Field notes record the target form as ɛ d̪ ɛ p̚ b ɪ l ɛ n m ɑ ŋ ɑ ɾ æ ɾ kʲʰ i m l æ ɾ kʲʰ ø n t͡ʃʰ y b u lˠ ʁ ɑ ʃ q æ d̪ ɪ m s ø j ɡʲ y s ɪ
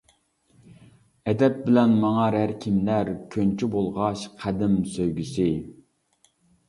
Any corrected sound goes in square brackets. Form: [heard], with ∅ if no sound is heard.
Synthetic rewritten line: ɛ d̪ ɛ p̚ b ɪ l ɛ n m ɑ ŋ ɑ ɾ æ ɾ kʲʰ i m l æ ɾ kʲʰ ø n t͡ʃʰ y b [o] lˠ ʁ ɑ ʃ [qʰ] æ d̪ ɪ m s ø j ɡʲ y s ɪ